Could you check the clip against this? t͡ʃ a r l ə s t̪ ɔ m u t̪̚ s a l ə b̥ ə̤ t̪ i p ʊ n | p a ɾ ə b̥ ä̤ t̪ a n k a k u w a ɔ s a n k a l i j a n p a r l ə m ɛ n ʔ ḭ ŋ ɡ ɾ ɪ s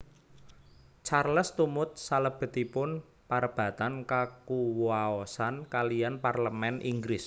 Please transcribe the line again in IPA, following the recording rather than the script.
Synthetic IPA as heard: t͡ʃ a r l ə s t̪ u m ʊ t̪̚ s a l ə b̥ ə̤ t̪ i p ʊ n | p a ɾ ə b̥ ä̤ t̪ a n k a k u w a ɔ s a n k a l i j a n p a r l ə m ɛ n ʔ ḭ ŋ ɡ ɾ ɪ s